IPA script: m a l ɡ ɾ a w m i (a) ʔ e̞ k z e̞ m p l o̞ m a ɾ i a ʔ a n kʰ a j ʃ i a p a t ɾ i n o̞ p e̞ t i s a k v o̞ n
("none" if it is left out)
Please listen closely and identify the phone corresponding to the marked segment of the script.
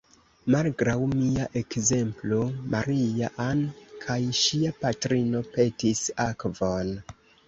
a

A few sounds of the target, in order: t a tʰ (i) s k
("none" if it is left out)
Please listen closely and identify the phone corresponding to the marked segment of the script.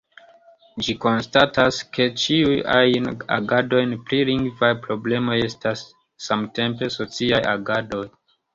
a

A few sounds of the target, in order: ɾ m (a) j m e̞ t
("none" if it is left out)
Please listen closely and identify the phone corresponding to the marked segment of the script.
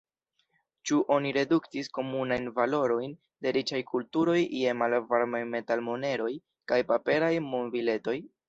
a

